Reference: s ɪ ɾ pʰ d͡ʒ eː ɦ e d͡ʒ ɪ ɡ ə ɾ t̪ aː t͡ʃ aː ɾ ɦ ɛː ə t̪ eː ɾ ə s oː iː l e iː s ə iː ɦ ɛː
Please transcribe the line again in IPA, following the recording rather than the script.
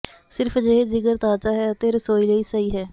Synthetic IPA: s ɪ ɾ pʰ d͡ʒ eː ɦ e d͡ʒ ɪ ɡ ə ɾ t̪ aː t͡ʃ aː ɦ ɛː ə t̪ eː ɾ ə s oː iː l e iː s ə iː ɦ ɛː